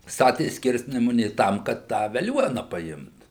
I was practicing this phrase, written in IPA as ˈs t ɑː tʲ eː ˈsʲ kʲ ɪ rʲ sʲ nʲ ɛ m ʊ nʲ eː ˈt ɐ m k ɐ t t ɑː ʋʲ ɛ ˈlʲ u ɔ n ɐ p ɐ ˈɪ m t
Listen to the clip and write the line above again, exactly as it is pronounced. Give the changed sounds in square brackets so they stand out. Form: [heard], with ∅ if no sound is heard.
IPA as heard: ˈs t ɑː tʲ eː ˈsʲ kʲ ɪ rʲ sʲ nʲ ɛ m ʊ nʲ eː ˈt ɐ m k ɐ t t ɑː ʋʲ ɛ ˈlʲ u ɔ n ɐ p ɐ ˈɪ m t